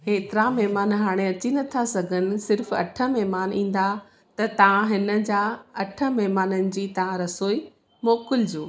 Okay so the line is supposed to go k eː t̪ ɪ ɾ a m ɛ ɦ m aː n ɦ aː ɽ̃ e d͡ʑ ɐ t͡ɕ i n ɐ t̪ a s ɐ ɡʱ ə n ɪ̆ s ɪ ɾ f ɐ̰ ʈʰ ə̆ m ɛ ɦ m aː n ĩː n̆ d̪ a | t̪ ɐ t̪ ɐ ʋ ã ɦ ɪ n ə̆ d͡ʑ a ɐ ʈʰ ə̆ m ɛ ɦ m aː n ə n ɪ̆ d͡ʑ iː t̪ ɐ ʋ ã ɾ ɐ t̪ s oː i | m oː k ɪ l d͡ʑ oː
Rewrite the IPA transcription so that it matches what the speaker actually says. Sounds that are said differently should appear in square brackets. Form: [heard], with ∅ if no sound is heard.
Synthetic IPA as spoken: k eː t̪ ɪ ɾ a m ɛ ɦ m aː n ɦ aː ɽ̃ e [∅] ɐ t͡ɕ i n ɐ [t̪ʰ] a s ɐ ɡʱ ə n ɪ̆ s ɪ ɾ f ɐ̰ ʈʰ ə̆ m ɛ ɦ m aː n ĩː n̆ d̪ a | t̪ ɐ t̪ ɐ ʋ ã ɦ ɪ n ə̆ d͡ʑ a ɐ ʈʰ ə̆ m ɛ ɦ m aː n ə n ɪ̆ d͡ʑ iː t̪ ɐ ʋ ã ɾ ɐ [∅] s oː i | m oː k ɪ l d͡ʑ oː